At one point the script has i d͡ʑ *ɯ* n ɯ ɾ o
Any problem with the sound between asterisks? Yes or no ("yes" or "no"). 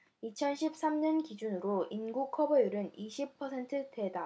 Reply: yes